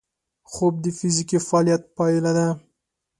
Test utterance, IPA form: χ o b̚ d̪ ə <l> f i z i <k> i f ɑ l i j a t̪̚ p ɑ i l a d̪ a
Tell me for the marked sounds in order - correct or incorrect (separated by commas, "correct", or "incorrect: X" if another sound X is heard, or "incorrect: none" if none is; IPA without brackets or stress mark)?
incorrect: none, correct